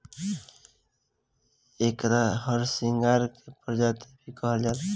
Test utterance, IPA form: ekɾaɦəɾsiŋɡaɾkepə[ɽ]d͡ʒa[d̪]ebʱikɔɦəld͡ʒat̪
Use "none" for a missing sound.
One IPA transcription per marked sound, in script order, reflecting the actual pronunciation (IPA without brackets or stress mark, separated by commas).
ɾ, t̪